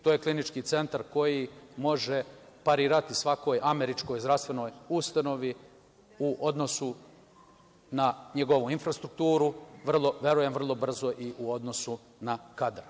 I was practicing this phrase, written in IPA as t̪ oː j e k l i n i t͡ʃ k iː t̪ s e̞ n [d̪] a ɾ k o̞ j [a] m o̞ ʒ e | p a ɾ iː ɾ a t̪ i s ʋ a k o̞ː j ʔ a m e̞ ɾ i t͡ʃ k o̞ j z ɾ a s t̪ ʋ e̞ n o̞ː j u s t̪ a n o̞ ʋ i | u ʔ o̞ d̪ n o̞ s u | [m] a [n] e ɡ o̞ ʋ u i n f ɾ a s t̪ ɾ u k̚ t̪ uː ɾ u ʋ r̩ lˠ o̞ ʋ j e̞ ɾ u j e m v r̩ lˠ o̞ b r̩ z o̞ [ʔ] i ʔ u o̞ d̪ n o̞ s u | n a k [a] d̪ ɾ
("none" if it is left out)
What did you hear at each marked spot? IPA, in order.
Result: t̪, i, n, ɲ, ʔ, a

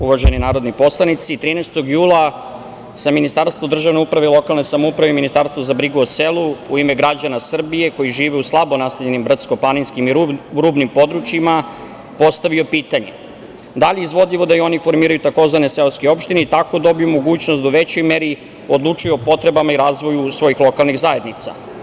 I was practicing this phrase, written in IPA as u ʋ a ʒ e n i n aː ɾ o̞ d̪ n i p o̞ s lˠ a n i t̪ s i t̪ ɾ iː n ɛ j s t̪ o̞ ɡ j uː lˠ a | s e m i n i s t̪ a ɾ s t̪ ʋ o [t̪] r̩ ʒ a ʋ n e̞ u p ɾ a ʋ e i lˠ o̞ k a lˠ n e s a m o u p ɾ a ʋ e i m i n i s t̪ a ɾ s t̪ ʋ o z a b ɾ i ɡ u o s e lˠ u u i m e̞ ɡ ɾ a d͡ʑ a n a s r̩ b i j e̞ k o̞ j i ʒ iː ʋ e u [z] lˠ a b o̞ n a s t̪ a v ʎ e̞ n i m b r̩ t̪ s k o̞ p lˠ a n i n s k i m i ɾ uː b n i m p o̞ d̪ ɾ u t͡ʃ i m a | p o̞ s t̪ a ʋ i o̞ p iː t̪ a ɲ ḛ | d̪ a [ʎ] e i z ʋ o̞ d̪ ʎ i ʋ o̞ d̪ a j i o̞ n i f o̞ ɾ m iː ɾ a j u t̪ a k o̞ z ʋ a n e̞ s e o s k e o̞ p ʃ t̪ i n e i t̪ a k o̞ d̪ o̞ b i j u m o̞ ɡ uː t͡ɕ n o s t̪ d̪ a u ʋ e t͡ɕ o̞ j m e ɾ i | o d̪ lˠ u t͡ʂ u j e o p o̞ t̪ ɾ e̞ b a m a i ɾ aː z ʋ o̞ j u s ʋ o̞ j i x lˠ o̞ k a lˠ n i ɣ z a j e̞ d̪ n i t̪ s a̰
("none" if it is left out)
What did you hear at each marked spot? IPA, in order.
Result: d̪, s, ʎ

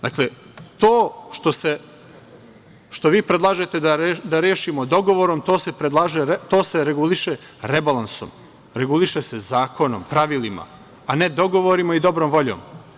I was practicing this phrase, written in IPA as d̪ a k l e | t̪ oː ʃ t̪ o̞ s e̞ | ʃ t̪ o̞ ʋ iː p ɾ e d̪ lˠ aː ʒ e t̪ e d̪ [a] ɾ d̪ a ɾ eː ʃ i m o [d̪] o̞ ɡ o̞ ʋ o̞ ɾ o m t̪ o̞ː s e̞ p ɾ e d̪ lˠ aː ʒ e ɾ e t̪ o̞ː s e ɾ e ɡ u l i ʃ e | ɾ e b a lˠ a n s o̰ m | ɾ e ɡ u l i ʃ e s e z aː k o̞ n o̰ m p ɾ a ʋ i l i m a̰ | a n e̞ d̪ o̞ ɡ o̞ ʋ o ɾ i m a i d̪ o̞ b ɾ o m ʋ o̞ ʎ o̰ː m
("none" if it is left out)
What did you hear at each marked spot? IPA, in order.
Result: a, d̪

